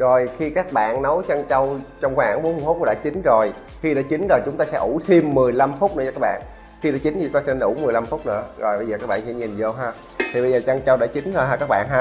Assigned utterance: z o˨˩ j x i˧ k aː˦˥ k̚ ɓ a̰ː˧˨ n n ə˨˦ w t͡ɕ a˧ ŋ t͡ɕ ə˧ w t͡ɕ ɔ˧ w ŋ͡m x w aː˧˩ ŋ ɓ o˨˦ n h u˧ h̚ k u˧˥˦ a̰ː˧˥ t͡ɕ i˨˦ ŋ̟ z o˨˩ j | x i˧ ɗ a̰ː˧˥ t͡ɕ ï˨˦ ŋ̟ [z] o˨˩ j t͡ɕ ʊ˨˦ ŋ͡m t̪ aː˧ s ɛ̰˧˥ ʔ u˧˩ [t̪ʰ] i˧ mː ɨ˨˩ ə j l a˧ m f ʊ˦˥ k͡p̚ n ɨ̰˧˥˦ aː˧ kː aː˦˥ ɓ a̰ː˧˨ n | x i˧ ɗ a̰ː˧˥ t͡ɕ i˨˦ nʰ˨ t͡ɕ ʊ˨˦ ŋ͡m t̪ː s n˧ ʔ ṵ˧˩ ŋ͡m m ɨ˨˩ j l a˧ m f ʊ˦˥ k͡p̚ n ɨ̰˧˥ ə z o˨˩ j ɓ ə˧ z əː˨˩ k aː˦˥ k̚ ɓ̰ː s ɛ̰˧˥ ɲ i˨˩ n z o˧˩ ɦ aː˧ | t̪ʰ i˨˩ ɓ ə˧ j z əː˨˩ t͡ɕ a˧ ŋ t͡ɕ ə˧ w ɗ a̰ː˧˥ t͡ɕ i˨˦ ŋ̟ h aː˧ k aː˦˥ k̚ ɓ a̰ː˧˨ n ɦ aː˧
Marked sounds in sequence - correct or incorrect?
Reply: correct, correct

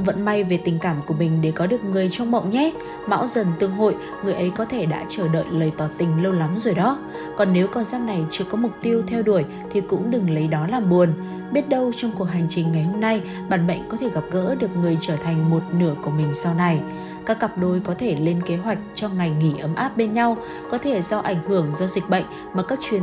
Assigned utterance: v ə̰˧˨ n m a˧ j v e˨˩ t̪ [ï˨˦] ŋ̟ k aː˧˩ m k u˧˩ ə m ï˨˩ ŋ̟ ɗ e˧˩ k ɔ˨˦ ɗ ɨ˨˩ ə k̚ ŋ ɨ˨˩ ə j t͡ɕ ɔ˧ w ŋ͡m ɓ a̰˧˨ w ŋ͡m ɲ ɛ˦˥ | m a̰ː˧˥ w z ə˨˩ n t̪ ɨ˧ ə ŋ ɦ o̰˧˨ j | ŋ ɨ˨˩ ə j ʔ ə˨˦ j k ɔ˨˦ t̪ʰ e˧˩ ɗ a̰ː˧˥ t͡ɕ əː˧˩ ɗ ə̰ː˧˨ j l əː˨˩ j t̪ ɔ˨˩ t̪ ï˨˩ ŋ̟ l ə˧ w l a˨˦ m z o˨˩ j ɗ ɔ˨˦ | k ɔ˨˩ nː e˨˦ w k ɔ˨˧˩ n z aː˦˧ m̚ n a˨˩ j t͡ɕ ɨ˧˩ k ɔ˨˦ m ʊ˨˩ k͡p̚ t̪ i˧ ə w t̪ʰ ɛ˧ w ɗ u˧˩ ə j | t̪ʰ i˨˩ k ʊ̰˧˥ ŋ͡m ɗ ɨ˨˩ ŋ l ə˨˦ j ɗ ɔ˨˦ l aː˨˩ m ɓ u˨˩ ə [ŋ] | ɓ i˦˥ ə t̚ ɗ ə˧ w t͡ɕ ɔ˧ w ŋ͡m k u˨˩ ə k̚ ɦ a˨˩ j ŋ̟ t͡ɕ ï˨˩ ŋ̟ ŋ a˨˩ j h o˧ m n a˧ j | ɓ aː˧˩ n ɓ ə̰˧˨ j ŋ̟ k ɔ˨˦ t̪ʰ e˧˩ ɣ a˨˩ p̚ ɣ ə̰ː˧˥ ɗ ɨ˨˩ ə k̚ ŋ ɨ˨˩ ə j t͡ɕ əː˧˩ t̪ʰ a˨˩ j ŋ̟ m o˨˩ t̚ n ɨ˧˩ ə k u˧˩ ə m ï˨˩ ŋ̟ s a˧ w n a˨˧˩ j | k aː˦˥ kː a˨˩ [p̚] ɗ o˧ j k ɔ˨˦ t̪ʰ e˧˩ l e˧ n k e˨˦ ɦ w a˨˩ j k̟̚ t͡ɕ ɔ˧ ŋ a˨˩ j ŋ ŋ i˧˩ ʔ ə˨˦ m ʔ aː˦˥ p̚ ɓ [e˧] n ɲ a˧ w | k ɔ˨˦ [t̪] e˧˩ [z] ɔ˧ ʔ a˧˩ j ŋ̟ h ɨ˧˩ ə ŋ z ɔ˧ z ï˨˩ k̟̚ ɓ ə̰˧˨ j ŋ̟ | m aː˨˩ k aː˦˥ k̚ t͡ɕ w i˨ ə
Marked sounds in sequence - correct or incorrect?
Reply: incorrect: ï˨˩, incorrect: n, correct, correct, incorrect: t̪ʰ, correct

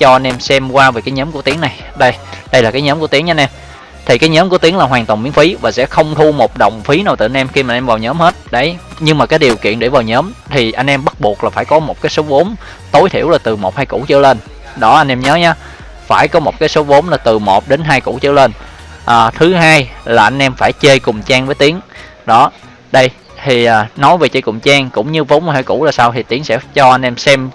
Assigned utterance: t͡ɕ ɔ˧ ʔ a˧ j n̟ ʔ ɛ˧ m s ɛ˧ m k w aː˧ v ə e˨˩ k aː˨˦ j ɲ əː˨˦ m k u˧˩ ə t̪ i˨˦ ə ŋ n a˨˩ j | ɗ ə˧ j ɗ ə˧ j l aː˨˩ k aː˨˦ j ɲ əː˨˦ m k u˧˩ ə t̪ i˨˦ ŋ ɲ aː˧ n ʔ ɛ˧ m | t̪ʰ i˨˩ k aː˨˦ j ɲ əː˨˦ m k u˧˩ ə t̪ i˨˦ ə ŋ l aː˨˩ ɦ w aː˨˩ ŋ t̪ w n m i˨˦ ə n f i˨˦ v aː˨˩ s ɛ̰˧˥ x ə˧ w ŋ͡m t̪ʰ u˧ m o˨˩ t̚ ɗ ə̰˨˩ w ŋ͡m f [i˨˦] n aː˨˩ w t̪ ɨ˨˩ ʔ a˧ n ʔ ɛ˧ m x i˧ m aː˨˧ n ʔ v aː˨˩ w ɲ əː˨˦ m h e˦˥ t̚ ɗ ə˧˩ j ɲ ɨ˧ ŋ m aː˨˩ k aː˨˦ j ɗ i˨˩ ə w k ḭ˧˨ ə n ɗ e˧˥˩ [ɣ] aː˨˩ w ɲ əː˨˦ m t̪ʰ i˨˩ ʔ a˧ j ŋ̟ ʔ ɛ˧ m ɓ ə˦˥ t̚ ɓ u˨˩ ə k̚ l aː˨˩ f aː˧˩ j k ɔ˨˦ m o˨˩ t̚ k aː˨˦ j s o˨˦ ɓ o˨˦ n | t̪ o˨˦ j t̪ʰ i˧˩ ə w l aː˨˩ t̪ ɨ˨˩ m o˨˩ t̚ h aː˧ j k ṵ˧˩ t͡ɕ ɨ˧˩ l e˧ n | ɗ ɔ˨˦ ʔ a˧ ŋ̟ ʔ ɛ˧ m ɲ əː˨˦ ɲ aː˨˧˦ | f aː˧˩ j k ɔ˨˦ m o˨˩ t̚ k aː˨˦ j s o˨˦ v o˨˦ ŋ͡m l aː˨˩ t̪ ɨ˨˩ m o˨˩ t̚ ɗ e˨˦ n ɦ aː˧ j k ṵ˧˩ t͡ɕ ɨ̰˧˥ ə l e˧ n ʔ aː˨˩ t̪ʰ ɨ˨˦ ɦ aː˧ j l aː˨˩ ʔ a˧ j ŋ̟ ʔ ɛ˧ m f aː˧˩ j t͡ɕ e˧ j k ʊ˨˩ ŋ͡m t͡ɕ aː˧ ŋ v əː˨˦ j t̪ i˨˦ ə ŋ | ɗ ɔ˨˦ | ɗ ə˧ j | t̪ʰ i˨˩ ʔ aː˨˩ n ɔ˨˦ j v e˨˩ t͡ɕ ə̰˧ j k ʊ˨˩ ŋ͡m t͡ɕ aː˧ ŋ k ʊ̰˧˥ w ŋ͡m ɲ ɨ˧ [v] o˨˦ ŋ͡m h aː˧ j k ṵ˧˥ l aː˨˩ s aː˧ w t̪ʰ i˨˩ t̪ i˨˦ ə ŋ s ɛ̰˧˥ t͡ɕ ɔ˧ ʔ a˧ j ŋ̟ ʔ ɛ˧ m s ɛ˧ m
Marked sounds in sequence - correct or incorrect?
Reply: correct, incorrect: v, correct

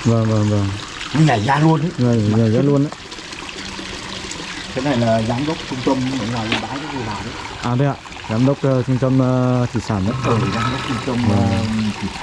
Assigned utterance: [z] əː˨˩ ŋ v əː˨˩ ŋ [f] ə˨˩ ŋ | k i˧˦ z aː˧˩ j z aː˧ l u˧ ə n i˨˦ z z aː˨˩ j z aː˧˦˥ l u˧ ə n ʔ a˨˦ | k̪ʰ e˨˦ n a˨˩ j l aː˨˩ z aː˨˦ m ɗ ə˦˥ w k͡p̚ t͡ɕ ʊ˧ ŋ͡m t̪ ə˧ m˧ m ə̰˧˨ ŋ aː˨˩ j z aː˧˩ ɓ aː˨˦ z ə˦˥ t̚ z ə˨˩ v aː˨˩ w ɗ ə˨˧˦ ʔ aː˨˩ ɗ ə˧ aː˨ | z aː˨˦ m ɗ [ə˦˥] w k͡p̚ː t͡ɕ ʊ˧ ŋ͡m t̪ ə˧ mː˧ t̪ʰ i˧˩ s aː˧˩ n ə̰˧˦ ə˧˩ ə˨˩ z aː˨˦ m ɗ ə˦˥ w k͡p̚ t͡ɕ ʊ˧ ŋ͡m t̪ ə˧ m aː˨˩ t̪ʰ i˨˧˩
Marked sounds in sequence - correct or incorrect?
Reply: incorrect: v, incorrect: v, correct

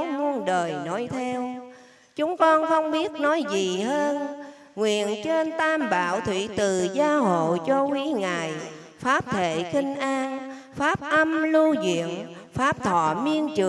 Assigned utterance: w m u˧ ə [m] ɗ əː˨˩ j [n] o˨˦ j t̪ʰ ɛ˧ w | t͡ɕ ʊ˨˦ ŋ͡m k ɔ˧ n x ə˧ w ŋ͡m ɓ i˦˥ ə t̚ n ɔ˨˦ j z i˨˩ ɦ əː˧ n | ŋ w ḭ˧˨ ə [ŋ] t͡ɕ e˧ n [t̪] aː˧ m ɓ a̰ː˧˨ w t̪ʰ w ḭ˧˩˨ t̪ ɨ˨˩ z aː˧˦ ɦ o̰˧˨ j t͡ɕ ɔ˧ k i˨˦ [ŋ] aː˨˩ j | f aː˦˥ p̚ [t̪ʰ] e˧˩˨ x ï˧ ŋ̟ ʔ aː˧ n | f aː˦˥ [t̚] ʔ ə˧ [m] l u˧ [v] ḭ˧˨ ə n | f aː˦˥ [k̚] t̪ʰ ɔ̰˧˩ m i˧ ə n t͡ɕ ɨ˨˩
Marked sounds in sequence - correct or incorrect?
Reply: incorrect: n, correct, incorrect: n, correct, correct, correct, incorrect: p̚, correct, incorrect: z, incorrect: p̚

